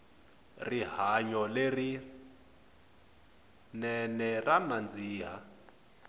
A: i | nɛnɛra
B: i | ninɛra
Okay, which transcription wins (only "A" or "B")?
A